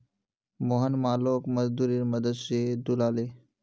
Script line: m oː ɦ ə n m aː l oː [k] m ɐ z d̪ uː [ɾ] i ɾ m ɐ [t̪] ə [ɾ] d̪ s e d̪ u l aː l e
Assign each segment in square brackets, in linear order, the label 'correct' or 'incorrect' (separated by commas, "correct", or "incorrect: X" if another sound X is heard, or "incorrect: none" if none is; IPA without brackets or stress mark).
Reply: correct, correct, incorrect: d̪, incorrect: none